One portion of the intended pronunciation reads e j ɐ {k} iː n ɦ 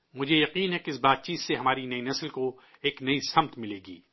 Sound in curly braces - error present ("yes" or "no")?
yes